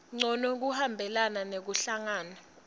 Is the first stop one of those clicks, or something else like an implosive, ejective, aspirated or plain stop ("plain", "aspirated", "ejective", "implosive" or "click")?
click